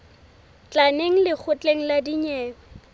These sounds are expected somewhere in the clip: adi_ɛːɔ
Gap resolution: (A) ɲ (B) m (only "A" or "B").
A